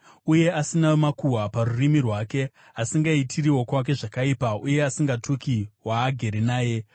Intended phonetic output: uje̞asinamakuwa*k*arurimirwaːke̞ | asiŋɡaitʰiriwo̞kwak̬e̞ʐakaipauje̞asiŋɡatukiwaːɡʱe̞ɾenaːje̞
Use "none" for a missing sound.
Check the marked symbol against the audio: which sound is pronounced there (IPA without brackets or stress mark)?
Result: p